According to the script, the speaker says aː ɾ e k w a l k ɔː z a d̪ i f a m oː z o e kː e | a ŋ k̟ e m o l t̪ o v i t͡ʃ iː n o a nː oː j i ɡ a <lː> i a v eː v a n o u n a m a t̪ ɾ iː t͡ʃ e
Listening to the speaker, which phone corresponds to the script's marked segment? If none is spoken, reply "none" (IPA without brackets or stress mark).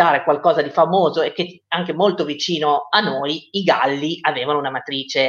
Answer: lː